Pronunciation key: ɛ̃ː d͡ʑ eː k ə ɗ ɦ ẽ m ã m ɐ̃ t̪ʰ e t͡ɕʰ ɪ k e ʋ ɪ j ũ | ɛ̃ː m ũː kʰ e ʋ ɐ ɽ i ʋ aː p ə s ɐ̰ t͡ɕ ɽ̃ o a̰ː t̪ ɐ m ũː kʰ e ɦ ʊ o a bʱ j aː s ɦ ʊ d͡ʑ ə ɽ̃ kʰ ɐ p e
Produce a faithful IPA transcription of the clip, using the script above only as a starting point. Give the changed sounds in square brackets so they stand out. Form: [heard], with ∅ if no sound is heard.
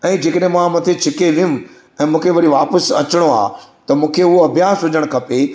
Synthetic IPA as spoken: ɛ̃ː d͡ʑ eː k ə ɗ ɦ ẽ m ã m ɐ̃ t̪ʰ e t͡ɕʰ ɪ k e ʋ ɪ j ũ | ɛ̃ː m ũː kʰ e ʋ ɐ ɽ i ʋ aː p ə s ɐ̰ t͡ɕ ɽ̃ o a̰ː t̪ ɐ m ũː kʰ e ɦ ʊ o [ɐ] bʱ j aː s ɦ ʊ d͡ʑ ə ɽ̃ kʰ ɐ p e